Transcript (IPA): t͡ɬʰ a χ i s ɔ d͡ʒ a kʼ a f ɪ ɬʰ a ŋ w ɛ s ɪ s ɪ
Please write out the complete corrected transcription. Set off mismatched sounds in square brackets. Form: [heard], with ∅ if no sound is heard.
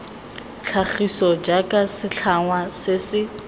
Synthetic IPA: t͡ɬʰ a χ i s ɔ d͡ʒ a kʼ a [s] ɪ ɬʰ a ŋ w [a] s ɪ s ɪ